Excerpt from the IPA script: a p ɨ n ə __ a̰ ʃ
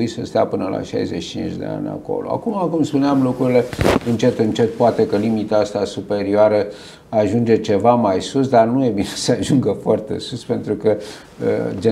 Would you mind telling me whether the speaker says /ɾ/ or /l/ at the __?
l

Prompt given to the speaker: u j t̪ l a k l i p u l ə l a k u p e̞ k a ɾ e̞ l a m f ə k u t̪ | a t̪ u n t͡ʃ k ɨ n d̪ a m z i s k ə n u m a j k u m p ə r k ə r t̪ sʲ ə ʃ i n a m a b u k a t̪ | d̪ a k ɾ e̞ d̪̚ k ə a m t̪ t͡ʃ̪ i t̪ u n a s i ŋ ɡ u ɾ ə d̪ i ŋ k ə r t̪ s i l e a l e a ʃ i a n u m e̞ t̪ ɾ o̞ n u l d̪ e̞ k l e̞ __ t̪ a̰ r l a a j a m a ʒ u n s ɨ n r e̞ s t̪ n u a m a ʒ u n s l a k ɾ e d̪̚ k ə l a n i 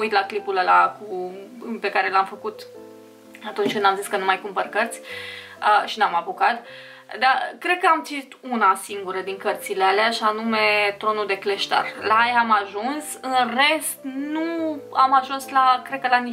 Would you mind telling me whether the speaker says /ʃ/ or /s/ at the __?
ʃ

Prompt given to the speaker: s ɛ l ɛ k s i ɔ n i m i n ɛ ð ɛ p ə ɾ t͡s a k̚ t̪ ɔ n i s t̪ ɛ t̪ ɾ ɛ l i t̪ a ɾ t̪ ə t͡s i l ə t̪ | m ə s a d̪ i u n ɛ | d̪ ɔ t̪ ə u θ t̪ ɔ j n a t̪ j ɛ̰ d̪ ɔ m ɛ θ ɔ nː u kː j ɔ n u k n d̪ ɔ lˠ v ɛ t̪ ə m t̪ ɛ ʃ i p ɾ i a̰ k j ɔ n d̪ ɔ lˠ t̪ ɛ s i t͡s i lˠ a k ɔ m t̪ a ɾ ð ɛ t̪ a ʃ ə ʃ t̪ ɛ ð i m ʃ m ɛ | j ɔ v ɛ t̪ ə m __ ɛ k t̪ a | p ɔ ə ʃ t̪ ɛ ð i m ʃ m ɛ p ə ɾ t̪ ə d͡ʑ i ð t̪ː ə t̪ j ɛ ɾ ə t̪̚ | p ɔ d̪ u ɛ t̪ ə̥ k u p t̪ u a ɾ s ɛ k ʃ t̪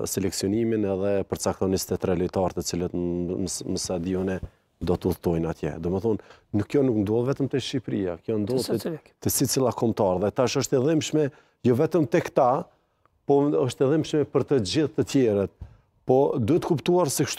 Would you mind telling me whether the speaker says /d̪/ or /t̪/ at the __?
t̪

